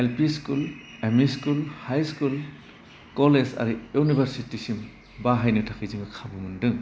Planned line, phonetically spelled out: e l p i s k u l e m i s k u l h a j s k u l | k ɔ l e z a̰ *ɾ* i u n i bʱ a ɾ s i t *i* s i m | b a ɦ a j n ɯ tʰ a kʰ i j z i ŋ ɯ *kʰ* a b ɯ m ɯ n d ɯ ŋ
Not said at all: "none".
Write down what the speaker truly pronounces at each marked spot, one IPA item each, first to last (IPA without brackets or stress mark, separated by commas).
ɾ, i, kʰ